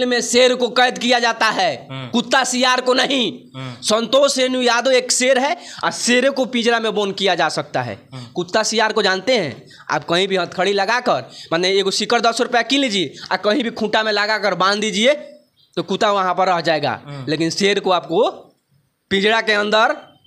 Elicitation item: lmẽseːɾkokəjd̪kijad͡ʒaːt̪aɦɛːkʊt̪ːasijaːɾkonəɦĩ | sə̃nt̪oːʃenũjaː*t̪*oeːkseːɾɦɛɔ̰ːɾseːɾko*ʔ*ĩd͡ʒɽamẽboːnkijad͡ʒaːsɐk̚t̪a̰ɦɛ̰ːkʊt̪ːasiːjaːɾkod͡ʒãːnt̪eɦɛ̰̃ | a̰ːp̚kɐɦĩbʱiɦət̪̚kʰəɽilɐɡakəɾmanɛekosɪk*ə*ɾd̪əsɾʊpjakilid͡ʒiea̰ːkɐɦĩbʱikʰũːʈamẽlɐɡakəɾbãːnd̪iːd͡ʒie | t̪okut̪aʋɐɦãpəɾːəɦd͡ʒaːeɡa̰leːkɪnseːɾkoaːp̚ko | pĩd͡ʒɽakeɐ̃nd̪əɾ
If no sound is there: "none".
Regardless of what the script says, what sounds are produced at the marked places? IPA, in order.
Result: d̪, p, ə

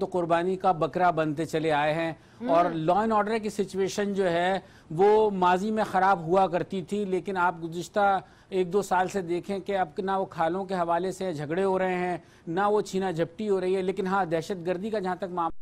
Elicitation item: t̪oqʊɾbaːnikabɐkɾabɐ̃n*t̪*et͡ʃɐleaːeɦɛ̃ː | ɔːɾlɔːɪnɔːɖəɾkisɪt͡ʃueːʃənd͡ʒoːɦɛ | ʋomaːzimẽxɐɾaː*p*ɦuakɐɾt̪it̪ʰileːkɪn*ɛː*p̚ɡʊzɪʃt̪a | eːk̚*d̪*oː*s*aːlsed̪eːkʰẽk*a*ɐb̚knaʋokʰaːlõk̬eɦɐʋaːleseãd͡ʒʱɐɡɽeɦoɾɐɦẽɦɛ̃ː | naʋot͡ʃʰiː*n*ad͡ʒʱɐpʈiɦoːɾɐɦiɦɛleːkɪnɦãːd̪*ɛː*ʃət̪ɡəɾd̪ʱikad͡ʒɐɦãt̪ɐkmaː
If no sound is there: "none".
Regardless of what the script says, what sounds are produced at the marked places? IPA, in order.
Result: t̪, b, aː, d̪, s, e, n, ɛː

